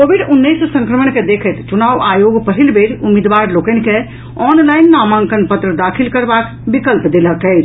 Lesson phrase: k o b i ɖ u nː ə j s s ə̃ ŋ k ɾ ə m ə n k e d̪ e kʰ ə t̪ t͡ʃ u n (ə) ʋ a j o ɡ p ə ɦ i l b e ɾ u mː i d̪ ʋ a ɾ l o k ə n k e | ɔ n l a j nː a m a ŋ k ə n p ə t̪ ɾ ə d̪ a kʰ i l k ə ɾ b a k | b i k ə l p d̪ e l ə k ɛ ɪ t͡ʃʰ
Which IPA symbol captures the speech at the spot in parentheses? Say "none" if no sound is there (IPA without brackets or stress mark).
a